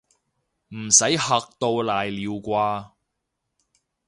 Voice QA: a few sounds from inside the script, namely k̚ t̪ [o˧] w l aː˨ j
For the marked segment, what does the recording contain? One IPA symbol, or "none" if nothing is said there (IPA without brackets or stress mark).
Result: o˧